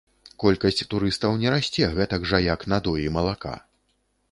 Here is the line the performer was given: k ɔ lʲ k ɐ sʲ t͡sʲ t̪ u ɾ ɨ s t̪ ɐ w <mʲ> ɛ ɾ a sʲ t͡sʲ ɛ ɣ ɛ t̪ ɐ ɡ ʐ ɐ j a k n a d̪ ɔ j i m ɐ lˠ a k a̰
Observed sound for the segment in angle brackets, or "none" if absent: nʲ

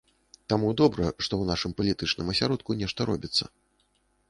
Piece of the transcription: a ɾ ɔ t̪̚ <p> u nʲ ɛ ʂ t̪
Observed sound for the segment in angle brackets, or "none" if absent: k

